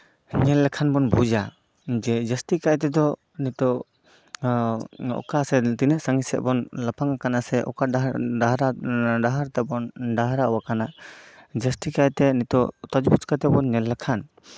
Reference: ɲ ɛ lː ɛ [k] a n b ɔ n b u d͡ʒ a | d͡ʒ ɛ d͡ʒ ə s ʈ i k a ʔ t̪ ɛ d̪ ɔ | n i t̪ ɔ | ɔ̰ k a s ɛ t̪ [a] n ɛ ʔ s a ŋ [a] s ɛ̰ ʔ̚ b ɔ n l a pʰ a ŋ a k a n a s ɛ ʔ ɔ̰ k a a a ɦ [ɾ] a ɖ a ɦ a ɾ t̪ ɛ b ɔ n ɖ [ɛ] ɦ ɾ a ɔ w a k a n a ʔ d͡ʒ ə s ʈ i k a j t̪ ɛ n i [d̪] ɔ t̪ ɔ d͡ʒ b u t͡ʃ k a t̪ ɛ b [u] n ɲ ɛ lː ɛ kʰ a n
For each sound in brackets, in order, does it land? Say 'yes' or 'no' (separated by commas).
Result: no, no, no, yes, no, no, no